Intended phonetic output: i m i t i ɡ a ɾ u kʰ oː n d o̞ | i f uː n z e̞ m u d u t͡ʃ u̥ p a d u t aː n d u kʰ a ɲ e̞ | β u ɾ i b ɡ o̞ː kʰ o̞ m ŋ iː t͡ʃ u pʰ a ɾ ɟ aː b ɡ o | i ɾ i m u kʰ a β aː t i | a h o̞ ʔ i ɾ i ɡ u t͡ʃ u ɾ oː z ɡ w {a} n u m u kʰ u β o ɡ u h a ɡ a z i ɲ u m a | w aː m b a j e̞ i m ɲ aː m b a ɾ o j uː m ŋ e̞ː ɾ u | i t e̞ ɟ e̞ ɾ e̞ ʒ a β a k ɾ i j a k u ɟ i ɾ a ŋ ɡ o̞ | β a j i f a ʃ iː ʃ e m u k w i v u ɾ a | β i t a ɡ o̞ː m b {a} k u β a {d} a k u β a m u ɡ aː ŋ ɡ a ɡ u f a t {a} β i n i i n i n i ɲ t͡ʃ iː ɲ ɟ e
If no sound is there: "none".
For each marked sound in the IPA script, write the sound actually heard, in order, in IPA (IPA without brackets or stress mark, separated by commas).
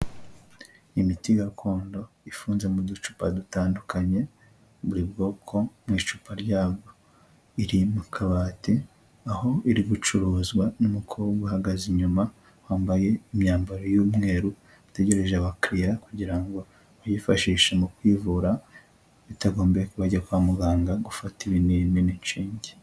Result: a, e, ɟ, i